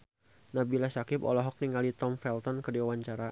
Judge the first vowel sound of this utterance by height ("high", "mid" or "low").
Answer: low